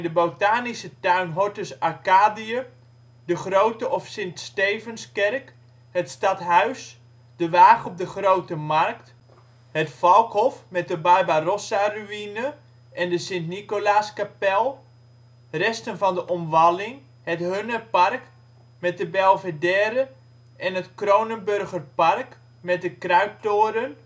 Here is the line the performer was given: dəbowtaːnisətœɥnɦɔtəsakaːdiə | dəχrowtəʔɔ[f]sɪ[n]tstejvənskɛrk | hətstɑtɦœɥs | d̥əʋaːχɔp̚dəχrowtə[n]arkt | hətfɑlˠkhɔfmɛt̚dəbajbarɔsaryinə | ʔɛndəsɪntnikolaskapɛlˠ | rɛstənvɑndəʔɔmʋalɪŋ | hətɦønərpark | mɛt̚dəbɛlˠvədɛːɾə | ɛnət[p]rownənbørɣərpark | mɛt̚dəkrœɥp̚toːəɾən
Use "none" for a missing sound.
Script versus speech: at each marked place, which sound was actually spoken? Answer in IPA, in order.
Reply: f, n, m, k

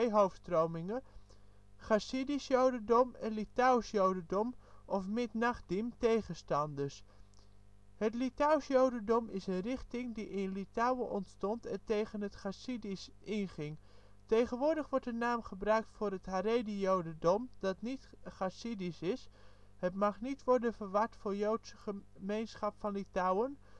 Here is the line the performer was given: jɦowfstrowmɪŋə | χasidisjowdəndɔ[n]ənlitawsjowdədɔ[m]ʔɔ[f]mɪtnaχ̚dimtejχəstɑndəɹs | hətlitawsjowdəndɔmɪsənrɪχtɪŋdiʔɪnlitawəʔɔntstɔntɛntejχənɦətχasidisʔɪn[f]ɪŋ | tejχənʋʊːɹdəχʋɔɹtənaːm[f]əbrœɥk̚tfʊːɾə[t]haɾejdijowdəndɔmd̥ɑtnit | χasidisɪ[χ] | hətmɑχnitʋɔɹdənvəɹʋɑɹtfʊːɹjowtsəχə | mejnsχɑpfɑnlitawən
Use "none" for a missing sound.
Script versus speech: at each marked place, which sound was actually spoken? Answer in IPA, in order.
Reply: m, m, f, χ, χ, t, s

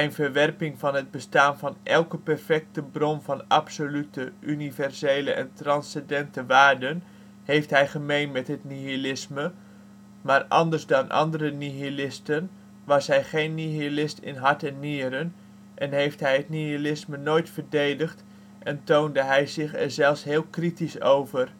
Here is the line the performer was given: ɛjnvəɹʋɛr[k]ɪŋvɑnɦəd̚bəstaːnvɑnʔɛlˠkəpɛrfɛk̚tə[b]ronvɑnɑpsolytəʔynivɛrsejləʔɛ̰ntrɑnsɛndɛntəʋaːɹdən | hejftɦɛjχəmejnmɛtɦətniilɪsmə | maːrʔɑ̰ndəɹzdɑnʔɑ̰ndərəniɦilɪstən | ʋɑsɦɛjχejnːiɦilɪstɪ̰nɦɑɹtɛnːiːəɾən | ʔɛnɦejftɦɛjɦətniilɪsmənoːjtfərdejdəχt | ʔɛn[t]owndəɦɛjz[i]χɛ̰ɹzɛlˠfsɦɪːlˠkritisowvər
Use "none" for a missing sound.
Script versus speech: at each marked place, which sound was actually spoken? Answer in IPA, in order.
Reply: p, b, t, ɪ

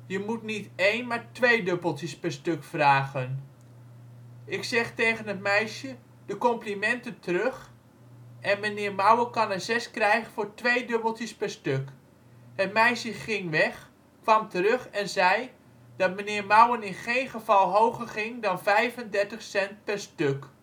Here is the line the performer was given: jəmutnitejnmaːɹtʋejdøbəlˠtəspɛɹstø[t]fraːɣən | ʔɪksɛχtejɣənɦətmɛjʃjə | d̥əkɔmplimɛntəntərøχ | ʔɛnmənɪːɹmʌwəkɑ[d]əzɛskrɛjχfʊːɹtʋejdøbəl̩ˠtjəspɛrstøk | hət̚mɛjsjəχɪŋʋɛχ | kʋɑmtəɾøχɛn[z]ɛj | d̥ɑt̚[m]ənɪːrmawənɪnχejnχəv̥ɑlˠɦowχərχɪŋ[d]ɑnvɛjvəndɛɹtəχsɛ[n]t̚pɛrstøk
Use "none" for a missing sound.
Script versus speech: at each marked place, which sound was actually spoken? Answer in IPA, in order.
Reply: k, n, z, m, d, n

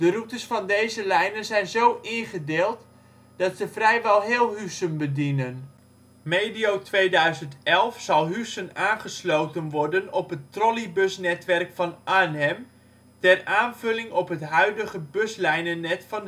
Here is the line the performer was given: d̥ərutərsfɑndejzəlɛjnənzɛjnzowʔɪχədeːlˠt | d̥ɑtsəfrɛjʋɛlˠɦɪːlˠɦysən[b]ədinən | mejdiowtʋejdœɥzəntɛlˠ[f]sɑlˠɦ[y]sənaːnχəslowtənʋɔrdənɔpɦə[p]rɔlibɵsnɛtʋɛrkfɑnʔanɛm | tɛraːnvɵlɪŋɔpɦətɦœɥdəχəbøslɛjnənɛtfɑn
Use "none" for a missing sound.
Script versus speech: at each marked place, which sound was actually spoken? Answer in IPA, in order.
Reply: b, f, y, t

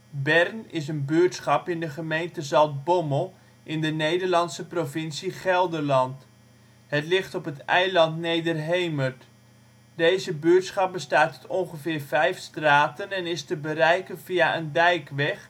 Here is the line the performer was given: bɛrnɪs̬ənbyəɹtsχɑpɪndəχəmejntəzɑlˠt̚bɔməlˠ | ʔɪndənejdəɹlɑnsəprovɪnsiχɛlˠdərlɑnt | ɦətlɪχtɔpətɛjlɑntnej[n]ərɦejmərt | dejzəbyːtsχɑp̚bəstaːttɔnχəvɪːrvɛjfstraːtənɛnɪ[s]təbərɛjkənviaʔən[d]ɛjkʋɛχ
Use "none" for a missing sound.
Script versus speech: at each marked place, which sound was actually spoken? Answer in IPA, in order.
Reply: d, s, d

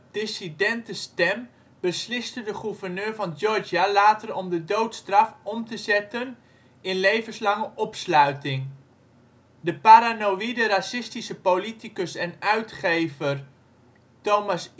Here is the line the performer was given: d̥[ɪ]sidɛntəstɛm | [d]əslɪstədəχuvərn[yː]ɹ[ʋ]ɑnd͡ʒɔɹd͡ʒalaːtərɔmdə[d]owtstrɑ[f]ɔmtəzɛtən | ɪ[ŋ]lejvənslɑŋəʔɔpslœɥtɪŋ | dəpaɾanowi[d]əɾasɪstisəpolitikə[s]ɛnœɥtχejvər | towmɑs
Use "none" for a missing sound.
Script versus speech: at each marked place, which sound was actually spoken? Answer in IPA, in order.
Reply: ɪ, b, øː, v, d, f, n, d, s

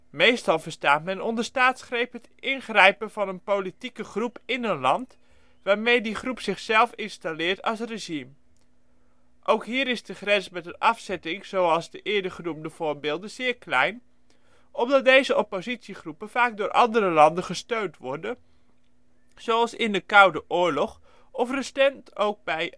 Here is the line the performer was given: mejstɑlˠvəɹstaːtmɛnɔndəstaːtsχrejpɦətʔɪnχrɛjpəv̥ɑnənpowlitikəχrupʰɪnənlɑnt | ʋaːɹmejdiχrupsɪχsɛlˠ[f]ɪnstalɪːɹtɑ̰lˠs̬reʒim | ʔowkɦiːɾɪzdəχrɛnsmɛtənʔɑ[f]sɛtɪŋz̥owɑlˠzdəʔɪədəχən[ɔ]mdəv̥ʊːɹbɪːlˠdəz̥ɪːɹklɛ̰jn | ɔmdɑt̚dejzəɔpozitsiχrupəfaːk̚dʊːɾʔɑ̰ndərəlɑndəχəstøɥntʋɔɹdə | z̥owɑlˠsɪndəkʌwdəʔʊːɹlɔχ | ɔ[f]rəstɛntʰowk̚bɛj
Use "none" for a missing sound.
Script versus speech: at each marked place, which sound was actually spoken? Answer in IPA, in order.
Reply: f, f, u, f

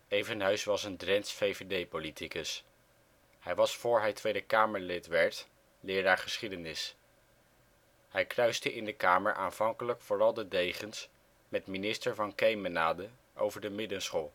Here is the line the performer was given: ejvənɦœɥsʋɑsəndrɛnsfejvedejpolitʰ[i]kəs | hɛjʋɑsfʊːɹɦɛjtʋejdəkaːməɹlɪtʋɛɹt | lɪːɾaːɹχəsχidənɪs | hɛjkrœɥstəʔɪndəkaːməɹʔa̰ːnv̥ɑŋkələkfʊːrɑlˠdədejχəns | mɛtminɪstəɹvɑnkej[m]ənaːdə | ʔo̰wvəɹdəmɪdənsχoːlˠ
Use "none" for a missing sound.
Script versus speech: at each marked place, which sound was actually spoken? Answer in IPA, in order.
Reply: i, m

